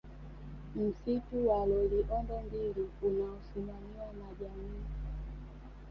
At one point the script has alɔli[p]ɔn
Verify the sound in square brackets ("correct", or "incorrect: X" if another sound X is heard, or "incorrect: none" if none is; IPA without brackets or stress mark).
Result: incorrect: ʔ